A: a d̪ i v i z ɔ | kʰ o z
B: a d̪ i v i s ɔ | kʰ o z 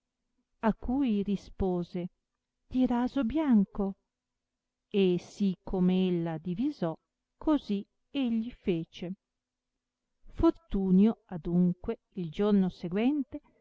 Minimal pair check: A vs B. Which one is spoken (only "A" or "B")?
A